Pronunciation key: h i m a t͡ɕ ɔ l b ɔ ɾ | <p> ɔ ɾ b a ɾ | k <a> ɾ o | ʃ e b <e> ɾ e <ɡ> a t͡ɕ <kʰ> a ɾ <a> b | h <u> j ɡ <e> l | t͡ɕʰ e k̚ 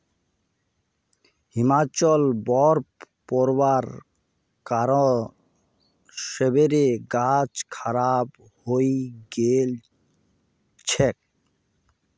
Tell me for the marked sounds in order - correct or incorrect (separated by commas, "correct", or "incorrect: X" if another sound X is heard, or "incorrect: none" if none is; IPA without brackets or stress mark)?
correct, correct, correct, correct, correct, correct, incorrect: o, correct